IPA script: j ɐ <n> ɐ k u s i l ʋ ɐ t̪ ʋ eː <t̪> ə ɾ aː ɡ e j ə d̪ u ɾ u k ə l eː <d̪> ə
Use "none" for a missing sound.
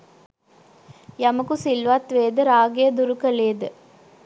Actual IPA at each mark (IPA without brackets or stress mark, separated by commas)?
m, d̪, d̪